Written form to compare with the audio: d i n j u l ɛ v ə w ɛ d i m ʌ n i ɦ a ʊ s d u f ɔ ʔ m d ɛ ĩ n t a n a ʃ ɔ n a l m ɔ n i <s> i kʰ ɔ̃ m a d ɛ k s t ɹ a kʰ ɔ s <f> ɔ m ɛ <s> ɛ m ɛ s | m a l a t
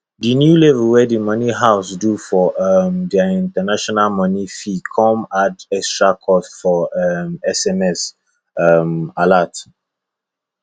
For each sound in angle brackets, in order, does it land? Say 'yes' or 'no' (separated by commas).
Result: no, yes, yes